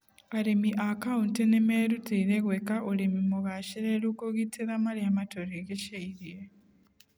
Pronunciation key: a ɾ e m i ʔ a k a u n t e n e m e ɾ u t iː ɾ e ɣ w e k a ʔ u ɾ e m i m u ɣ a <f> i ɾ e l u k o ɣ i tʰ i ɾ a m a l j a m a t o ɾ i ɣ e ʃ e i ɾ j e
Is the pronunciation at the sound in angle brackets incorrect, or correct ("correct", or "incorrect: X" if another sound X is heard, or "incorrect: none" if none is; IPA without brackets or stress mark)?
incorrect: ʃ